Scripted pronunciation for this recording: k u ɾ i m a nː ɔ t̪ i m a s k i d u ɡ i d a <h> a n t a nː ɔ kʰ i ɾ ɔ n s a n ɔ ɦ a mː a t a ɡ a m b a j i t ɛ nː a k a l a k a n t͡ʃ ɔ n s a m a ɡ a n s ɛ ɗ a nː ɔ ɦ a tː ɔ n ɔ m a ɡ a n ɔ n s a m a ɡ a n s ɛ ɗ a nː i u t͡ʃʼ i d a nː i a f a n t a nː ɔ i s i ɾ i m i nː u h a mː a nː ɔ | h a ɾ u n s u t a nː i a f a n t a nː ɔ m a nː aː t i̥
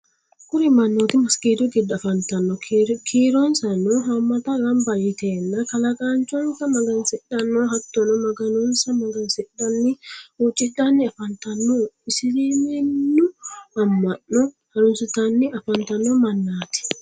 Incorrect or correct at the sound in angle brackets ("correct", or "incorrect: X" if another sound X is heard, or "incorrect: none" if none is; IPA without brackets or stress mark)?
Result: incorrect: f